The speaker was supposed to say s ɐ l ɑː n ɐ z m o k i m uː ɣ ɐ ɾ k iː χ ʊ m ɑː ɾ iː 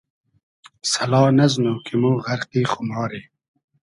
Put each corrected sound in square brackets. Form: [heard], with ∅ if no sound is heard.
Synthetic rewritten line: s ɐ l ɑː n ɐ z [n] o k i m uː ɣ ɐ ɾ [q] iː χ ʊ m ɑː ɾ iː